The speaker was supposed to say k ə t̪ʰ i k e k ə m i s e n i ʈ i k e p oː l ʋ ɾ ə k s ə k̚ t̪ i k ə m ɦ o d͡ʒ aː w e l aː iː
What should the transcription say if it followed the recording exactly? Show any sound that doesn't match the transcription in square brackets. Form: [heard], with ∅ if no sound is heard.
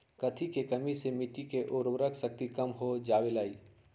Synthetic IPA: k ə t̪ʰ i k e k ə m i s e [m] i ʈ i k e [ʔ] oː [ɾ] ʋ ɾ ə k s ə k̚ t̪ i k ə m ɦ o d͡ʒ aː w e l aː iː